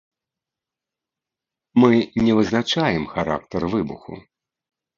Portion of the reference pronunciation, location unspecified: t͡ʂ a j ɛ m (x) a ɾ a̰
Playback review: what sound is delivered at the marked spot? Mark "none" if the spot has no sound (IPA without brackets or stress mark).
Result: x